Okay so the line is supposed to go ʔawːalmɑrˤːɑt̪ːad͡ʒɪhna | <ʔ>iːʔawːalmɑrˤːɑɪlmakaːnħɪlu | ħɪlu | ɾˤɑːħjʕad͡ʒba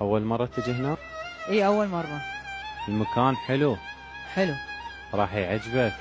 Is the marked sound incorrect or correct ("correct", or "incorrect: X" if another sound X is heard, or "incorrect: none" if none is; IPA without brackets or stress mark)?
correct